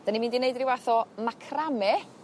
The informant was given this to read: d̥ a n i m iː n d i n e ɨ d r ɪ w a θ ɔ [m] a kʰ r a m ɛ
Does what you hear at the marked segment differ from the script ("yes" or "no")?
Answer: no